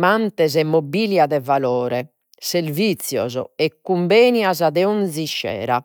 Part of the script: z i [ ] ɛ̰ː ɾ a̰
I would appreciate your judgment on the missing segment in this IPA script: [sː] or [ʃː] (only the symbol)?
ʃː